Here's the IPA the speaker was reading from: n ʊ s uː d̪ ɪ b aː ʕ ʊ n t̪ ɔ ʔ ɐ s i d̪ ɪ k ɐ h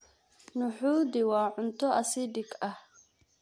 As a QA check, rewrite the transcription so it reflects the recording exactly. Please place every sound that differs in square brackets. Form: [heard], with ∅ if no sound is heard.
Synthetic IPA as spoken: n ʊ [ħ] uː d̪ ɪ [w] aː ʕ ʊ n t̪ ɔ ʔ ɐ s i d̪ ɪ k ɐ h